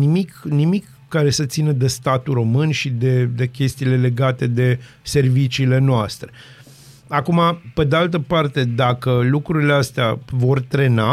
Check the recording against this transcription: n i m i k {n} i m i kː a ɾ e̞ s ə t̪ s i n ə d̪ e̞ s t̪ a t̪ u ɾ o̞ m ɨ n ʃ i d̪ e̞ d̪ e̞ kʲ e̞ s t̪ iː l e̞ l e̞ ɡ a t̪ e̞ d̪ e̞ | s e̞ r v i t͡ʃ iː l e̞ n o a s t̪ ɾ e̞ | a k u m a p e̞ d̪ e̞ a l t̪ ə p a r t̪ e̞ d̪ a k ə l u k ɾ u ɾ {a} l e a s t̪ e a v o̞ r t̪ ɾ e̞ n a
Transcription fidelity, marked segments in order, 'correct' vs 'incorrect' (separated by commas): correct, incorrect